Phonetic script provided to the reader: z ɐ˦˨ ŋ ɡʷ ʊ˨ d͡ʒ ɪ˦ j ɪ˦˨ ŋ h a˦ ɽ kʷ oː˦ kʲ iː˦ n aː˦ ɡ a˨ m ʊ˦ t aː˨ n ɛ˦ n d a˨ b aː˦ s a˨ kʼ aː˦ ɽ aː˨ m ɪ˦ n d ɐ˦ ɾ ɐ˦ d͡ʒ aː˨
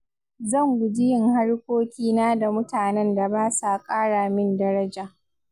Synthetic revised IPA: z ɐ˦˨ ŋ ɡʷ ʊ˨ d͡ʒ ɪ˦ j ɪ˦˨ ŋ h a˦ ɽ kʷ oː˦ kʲ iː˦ n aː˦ d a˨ m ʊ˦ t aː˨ n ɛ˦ n d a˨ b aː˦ s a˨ kʼ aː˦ ɽ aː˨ m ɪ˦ n d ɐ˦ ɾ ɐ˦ d͡ʒ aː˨